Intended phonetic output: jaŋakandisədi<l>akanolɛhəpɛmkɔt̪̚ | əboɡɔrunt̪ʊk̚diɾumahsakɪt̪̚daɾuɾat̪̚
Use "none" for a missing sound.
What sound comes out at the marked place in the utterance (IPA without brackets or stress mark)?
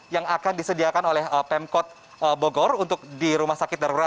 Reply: none